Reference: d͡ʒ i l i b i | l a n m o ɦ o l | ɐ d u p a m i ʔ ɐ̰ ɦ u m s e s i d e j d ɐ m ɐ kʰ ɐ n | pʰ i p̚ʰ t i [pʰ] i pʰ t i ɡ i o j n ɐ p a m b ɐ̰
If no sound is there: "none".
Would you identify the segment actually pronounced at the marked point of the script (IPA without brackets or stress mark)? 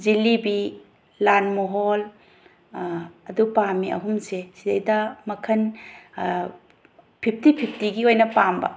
pʰ